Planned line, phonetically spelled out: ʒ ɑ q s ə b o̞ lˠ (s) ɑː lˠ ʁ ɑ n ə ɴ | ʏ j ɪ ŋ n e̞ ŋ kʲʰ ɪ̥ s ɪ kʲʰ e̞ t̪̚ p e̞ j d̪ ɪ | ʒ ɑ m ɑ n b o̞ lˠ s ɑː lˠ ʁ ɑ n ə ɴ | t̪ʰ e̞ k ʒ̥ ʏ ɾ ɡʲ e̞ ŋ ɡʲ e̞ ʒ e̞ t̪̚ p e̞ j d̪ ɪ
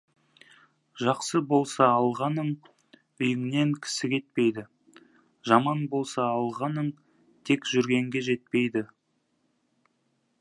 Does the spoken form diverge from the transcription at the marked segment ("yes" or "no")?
no